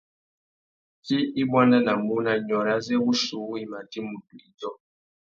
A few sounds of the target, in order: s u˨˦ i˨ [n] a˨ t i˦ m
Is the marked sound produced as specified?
no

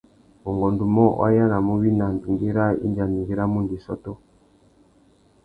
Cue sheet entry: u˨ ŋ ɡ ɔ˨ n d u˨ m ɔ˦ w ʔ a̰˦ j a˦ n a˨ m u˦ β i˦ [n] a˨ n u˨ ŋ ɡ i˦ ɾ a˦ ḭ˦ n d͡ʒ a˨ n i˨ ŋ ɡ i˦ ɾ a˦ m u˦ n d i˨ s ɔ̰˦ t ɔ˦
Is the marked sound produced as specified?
yes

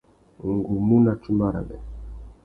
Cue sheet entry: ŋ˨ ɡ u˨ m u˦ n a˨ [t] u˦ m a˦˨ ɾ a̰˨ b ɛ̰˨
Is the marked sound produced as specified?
no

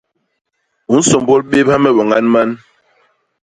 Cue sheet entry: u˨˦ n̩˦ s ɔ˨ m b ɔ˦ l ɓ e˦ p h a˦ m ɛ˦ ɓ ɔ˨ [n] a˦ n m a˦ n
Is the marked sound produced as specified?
no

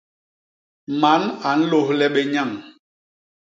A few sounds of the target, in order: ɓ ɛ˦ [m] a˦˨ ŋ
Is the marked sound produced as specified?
no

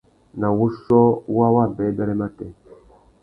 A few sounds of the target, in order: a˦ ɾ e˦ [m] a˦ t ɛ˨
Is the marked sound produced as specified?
yes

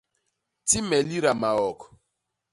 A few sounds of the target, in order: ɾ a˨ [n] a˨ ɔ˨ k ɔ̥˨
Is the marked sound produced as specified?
no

